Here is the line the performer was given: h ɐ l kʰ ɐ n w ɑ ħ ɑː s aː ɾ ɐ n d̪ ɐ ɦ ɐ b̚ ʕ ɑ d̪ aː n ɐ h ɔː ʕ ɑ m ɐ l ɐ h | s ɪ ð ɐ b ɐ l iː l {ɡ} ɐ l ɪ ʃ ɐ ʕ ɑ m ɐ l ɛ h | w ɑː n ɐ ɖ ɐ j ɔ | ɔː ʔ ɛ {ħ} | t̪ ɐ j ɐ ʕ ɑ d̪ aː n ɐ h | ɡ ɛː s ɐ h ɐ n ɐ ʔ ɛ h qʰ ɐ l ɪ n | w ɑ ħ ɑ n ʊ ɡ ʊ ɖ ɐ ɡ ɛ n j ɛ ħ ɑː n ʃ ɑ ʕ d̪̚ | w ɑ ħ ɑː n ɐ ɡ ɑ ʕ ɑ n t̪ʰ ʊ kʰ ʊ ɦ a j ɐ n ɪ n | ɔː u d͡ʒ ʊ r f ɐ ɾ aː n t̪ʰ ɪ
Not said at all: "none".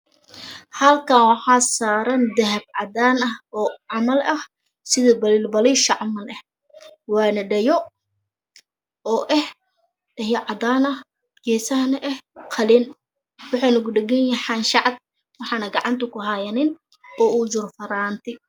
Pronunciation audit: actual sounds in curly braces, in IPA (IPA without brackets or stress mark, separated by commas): b, h